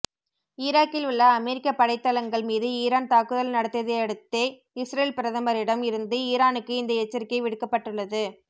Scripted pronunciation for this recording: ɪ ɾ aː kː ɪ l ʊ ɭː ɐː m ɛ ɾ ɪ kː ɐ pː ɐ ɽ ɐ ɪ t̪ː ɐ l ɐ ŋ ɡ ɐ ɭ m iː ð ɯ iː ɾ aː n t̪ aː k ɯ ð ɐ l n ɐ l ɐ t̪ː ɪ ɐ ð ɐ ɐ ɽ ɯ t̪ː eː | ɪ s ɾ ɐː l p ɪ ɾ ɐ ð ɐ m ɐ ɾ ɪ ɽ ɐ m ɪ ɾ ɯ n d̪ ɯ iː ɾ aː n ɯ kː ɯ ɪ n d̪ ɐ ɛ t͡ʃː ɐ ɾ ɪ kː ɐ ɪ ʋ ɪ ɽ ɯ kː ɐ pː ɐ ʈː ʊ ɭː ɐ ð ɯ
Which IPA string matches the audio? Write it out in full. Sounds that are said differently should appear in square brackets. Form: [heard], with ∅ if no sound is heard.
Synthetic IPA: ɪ ɾ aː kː ɪ l ʊ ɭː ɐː m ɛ ɾ ɪ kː ɐ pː ɐ ɽ ɐ ɪ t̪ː ɐ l ɐ ŋ ɡ ɐ ɭ m iː ð ɯ iː ɾ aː n t̪ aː k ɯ ð ɐ l n ɐ [ɽ] ɐ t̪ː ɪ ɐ ð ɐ ɐ ɽ ɯ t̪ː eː | ɪ s ɾ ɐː l p ɪ ɾ ɐ ð ɐ m ɐ ɾ ɪ ɽ ɐ m ɪ ɾ ɯ n d̪ ɯ iː ɾ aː n ɯ kː ɯ ɪ n d̪ ɐ ɛ t͡ʃː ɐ ɾ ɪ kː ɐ ɪ ʋ ɪ ɽ ɯ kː ɐ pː ɐ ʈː [ɯ] ɭː ɐ ð ɯ